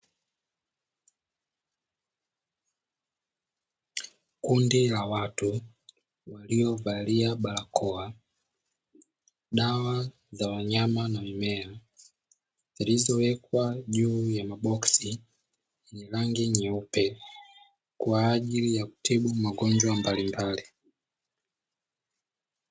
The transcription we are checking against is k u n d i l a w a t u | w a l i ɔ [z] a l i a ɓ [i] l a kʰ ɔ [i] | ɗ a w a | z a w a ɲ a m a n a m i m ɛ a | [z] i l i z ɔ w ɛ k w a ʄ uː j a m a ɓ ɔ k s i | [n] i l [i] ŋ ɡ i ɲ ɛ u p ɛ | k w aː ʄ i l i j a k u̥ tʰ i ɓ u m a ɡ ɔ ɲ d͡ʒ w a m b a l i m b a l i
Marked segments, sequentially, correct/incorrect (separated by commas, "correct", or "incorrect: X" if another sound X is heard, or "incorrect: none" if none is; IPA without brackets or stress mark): incorrect: v, incorrect: a, incorrect: a, correct, correct, incorrect: a